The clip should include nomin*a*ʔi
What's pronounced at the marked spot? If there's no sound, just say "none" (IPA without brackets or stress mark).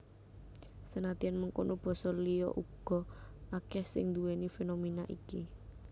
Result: a